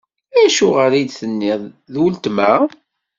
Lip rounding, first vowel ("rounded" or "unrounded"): unrounded